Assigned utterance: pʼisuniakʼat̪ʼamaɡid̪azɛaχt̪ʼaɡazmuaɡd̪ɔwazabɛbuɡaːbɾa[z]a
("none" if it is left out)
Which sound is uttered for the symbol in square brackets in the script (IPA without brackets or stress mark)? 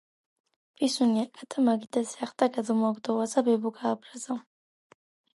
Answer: z